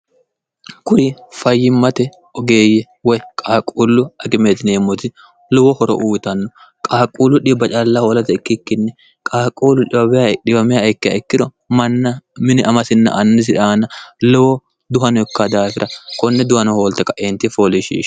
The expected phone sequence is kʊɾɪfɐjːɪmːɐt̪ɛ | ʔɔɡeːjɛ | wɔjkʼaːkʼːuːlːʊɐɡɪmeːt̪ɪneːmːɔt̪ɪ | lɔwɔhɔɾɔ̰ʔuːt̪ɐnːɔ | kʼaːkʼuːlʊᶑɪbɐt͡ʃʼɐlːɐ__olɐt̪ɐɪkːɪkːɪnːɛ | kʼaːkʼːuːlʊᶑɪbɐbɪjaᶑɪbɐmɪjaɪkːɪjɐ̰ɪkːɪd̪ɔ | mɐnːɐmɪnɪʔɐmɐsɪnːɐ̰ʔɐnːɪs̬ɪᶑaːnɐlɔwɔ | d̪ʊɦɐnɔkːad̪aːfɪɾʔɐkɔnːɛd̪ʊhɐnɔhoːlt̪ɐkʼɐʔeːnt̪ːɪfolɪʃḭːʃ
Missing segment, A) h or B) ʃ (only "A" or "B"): A